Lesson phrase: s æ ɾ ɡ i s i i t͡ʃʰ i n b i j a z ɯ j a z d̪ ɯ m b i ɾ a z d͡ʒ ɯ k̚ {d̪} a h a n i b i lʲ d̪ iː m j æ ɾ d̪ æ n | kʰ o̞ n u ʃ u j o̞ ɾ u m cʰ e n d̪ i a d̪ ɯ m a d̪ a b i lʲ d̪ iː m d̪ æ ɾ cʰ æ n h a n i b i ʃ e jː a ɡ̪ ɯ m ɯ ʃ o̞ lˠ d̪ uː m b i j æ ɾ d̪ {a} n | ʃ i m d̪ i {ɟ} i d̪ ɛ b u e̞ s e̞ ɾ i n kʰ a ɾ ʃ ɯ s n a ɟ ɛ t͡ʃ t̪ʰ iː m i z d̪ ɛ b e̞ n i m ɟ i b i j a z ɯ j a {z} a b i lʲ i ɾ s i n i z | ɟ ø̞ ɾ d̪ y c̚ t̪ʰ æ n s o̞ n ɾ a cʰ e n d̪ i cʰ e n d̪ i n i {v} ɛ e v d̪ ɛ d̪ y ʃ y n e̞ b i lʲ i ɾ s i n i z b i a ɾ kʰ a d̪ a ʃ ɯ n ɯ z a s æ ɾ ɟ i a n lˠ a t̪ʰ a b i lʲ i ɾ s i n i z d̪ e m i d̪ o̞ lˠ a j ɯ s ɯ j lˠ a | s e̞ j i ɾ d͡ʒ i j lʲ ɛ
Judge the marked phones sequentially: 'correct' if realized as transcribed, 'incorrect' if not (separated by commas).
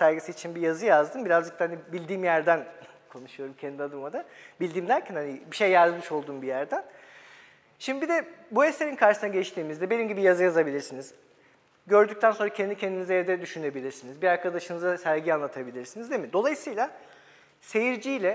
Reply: incorrect, incorrect, incorrect, correct, incorrect